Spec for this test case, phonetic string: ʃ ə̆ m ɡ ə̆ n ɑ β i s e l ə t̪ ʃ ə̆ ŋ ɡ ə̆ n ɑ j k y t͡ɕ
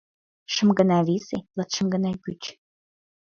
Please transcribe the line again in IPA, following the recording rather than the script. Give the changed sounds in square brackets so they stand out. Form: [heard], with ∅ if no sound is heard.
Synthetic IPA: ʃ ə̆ m ɡ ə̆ n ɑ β i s e l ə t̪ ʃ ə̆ [m] ɡ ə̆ n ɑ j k y t͡ɕ